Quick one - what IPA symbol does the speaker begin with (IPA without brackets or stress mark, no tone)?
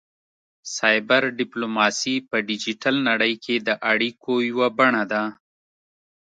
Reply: s